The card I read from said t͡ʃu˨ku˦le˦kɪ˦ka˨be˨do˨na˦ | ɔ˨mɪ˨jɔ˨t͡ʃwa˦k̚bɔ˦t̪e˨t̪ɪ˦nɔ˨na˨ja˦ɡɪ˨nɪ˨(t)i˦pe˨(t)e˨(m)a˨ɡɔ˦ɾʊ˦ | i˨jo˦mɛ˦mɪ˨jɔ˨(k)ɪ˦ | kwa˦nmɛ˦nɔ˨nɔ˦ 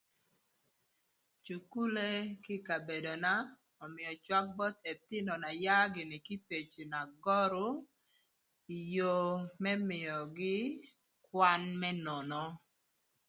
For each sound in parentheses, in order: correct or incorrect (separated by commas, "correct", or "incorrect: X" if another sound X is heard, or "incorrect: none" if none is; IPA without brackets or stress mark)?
incorrect: k, incorrect: t͡ʃ, incorrect: n, incorrect: ɡ